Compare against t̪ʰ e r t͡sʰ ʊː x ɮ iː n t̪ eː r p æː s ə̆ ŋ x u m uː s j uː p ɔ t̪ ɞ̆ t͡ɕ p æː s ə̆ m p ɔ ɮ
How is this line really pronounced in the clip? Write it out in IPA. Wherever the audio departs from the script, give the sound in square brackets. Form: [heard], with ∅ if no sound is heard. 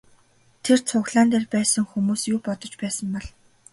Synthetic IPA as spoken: t̪ʰ e r t͡sʰ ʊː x ɮ [aː] n t̪ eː r p æː s ə̆ ŋ x u m uː s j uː p ɔ t̪ ɞ̆ t͡ɕ p æː s ə̆ m p ɔ ɮ